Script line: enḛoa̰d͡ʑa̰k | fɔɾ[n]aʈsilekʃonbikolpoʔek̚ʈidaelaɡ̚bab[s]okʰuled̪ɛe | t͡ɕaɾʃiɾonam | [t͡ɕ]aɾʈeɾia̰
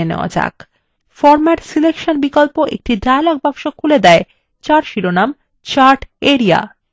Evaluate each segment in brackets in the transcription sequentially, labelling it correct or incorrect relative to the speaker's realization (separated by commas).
incorrect, incorrect, correct